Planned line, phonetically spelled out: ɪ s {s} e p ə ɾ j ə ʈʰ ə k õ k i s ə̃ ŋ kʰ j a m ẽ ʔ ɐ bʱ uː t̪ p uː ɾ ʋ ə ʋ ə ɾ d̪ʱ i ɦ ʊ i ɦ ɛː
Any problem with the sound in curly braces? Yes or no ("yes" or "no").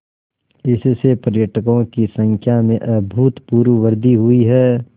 no